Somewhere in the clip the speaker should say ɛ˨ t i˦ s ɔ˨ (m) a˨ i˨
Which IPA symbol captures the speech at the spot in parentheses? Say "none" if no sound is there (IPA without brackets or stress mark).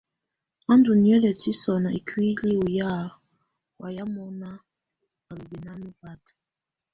n